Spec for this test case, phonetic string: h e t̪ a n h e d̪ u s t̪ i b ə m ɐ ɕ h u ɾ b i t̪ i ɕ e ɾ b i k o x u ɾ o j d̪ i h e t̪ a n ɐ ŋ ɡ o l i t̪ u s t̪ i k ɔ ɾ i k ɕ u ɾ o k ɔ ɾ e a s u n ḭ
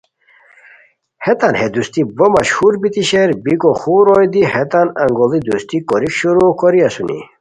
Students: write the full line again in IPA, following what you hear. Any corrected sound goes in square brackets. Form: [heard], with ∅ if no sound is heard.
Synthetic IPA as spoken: h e t̪ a n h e d̪ u s t̪ i b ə m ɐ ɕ h u ɾ b i t̪ i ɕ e ɾ b i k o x u ɾ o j d̪ i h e t̪ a n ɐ ŋ ɡ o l i [d̪] u s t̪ i k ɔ ɾ i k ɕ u ɾ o k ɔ ɾ [i] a s u n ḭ